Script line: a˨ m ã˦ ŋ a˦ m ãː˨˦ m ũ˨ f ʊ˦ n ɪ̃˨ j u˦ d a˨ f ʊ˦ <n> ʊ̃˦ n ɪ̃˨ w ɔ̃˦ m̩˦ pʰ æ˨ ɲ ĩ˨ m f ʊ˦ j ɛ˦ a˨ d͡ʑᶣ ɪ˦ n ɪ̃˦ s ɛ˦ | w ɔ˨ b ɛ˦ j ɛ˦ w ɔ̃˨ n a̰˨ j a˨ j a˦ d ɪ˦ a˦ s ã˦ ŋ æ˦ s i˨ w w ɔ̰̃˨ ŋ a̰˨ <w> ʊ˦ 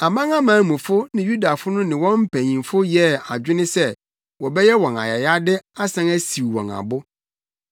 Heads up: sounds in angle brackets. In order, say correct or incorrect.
correct, incorrect

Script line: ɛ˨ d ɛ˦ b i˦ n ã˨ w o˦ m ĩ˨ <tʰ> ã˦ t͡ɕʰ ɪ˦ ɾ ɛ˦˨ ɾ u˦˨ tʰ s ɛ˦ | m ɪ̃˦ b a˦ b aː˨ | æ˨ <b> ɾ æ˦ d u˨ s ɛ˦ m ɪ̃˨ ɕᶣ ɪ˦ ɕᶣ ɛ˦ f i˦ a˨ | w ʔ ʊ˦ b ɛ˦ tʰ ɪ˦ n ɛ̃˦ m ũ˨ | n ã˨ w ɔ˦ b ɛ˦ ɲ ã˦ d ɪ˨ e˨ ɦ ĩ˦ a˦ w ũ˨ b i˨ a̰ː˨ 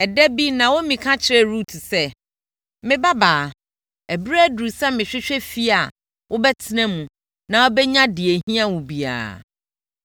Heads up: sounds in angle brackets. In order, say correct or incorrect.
incorrect, correct

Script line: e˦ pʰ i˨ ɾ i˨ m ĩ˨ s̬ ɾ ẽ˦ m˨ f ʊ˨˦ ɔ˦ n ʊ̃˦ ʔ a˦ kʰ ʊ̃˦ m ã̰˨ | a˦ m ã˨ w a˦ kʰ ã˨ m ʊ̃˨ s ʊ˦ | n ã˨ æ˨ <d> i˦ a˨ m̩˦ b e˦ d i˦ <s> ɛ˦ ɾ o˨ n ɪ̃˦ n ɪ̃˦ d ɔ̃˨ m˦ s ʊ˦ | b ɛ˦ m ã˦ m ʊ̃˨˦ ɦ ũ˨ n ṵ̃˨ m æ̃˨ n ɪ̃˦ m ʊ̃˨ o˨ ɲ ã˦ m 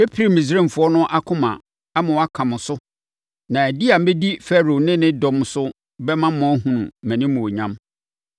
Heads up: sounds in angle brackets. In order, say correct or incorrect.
correct, incorrect

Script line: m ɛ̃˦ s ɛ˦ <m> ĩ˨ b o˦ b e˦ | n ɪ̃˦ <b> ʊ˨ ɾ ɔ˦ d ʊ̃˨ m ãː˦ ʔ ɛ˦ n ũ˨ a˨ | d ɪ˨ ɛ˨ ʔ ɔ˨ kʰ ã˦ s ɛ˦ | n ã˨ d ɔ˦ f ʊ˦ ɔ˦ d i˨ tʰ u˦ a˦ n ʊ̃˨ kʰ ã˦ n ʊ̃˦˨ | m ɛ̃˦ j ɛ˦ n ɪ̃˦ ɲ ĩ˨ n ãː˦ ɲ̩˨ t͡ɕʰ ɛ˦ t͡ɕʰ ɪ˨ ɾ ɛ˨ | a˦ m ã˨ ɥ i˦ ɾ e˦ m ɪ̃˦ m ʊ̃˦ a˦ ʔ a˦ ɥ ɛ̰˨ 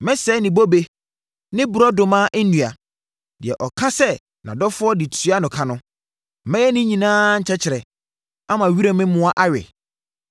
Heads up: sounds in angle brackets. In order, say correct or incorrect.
incorrect, correct

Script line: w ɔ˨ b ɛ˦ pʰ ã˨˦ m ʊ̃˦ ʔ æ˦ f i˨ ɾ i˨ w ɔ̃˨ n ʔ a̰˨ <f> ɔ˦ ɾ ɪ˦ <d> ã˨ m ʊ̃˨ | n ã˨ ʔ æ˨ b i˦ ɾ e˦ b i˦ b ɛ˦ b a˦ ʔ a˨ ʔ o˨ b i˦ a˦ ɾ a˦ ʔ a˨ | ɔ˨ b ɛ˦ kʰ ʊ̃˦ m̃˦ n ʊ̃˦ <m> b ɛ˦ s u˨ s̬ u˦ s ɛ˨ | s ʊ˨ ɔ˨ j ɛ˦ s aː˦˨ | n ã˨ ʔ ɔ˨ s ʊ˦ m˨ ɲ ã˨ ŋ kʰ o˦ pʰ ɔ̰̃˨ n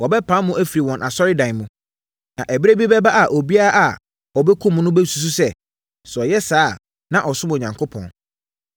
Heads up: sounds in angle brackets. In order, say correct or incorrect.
incorrect, correct, incorrect

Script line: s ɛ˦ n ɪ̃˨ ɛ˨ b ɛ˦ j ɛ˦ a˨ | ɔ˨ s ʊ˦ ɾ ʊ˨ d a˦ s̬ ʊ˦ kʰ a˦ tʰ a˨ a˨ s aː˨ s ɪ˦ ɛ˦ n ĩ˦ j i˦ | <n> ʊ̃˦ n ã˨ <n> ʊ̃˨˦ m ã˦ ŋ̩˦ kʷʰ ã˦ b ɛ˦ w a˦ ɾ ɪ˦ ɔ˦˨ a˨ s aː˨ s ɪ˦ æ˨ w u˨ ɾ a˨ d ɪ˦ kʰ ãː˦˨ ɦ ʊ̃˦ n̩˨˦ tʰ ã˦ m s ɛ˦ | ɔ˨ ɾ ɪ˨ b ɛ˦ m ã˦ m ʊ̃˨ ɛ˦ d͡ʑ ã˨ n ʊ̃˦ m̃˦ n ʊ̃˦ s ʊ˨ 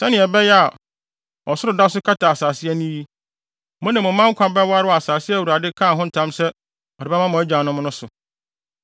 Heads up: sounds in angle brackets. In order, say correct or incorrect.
incorrect, incorrect

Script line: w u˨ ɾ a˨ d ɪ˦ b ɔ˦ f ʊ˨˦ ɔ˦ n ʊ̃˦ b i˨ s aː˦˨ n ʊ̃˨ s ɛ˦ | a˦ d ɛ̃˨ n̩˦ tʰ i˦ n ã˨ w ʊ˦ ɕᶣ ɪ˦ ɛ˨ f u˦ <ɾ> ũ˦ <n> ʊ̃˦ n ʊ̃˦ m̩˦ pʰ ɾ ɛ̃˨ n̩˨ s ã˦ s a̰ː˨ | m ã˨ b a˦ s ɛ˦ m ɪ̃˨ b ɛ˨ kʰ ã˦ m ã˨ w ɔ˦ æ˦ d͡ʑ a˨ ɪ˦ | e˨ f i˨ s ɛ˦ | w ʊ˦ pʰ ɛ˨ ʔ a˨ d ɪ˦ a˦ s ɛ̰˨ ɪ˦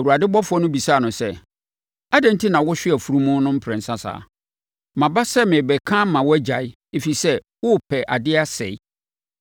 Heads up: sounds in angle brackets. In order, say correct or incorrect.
correct, incorrect

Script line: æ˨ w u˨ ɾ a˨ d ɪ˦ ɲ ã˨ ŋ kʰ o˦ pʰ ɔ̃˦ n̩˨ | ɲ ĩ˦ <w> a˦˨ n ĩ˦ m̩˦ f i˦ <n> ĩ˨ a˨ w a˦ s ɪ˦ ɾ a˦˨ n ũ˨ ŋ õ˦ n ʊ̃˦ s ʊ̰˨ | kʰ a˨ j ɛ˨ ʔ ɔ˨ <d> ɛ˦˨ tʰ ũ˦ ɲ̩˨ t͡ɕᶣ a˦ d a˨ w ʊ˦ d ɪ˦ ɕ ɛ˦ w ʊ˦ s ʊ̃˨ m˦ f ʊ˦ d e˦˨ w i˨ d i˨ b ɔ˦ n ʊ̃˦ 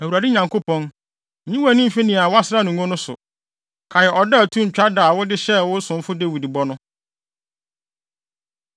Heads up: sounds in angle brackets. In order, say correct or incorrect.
correct, correct, correct

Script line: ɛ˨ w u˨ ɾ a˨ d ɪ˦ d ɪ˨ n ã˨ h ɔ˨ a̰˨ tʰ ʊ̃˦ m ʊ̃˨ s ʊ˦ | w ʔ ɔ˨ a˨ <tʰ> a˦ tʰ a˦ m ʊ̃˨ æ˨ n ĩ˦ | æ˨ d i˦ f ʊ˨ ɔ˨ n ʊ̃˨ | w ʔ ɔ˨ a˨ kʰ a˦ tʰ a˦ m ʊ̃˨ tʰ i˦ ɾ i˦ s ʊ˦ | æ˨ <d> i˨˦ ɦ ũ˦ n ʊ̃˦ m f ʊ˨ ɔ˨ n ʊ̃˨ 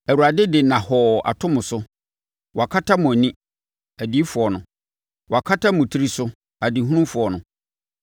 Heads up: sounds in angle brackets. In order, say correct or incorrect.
incorrect, correct

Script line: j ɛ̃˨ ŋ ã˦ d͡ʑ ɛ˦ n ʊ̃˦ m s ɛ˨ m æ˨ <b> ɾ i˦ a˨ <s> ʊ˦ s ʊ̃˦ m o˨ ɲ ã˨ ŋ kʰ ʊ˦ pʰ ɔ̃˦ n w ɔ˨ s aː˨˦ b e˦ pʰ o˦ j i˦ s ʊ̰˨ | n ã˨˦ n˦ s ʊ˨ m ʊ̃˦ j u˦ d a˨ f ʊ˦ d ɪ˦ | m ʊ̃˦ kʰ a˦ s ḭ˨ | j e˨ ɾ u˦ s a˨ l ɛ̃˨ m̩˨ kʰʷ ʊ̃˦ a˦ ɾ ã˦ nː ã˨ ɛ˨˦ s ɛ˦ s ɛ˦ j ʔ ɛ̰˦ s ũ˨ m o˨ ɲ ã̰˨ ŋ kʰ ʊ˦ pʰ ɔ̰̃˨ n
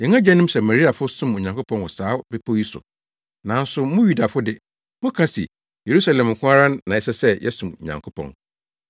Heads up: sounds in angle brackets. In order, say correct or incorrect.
incorrect, incorrect

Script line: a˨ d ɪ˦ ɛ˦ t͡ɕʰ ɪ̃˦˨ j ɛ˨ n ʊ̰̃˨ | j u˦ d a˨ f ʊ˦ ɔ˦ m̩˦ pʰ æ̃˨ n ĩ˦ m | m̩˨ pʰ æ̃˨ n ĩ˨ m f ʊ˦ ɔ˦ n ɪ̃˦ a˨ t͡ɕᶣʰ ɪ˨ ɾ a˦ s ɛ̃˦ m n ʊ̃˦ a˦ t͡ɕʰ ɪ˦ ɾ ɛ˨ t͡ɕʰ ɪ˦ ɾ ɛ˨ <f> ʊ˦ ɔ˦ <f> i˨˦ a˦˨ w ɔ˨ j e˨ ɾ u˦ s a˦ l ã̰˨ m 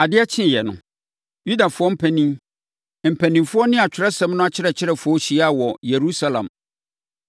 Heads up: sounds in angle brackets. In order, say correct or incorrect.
correct, incorrect

